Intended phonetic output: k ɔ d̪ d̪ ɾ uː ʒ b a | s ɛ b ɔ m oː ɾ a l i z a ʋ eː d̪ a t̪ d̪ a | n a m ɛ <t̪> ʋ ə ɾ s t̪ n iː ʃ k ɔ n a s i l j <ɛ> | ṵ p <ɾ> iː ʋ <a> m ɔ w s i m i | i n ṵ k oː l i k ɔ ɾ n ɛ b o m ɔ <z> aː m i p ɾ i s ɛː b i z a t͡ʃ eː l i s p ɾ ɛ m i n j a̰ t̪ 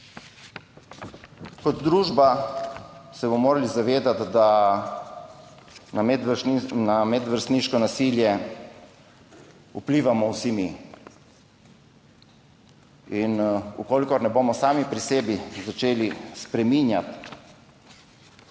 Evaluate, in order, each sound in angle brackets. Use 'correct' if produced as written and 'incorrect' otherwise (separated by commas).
incorrect, correct, incorrect, correct, incorrect